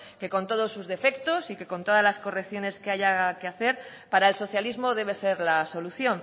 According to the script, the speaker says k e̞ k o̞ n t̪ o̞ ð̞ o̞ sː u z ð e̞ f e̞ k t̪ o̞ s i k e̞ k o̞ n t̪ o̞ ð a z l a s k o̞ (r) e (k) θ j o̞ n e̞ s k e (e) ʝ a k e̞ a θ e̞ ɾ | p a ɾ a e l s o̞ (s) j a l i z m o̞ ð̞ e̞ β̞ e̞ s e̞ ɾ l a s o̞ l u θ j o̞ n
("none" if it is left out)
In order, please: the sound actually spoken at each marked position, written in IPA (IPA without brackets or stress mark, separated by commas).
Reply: r, k, a, θ